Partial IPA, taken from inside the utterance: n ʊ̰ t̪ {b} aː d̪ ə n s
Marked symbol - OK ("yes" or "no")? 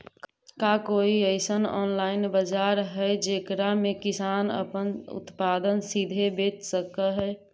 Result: no